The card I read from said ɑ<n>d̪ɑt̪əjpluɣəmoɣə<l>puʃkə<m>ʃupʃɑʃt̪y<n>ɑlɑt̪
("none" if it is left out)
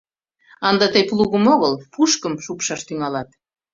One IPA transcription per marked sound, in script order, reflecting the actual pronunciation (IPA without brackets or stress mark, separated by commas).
n, l, m, ŋ